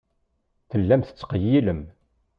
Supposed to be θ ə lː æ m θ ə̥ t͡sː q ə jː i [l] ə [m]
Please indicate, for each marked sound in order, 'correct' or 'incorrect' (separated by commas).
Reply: correct, correct